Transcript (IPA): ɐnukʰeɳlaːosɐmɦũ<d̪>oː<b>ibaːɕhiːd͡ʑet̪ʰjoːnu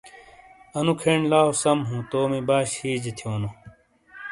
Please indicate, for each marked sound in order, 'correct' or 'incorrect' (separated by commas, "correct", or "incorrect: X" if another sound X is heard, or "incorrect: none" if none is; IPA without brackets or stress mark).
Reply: incorrect: t̪, incorrect: m